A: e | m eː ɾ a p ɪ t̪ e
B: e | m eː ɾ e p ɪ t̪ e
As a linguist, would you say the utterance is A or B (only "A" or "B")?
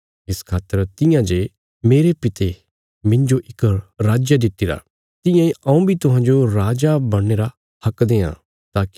B